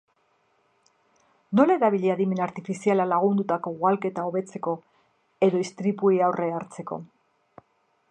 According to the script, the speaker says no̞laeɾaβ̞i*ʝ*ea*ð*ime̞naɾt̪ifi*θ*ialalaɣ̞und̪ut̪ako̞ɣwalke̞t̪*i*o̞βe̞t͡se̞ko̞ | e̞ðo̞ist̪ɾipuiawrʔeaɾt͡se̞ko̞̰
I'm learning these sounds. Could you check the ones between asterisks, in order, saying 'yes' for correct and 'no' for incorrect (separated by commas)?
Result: no, yes, no, no